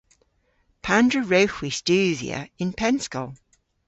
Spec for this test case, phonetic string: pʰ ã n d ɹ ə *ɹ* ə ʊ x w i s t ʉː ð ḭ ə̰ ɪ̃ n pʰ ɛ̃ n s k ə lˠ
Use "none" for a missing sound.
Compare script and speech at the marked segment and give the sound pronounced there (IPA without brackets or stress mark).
ɹ